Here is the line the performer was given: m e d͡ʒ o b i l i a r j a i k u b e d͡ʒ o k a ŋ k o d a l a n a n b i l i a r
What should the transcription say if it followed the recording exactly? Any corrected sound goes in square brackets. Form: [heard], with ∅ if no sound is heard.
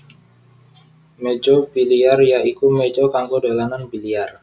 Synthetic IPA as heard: m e d͡ʒ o b i l i a r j a i k u [m] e d͡ʒ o k a ŋ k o d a l a n a n b i l i a r